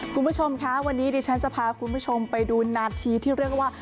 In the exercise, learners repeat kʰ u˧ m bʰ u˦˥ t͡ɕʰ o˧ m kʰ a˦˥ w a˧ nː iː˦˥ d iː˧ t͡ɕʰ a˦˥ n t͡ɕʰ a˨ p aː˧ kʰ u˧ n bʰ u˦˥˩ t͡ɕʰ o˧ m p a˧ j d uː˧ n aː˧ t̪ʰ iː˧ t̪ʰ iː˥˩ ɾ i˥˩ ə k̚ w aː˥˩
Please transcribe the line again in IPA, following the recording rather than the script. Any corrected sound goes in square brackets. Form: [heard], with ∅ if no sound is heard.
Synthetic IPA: kʰ u˧ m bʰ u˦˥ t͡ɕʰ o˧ m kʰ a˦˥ w a˧ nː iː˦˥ d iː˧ t͡ɕʰ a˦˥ n [t͡ɕ] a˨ [pʰ] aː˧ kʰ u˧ n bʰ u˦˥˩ t͡ɕʰ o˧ m p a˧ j d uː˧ n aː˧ t̪ʰ iː˧ t̪ʰ iː˥˩ ɾ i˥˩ ə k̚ w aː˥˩